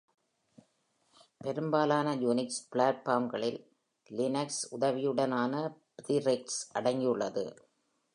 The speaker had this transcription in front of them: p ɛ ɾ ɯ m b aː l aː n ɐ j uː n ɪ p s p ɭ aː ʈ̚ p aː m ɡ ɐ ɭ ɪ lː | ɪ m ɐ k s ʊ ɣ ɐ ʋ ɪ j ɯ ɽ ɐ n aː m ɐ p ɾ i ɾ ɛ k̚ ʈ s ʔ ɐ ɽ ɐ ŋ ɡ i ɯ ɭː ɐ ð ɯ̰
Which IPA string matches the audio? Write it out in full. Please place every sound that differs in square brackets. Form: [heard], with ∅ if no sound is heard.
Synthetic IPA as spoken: p ɛ ɾ ɯ m b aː l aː n ɐ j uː n ɪ [k] s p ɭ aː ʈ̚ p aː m ɡ ɐ ɭ ɪ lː | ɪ [n] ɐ k s ʊ [ð] ɐ ʋ ɪ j ɯ ɽ ɐ n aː [n] ɐ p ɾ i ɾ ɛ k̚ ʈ s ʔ ɐ ɽ ɐ ŋ ɡ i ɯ ɭː ɐ ð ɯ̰